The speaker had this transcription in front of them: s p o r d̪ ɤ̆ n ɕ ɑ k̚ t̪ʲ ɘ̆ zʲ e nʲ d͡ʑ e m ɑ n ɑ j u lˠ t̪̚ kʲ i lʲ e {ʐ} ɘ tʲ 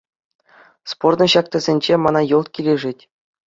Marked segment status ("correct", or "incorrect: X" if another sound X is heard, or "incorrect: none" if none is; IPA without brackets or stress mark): correct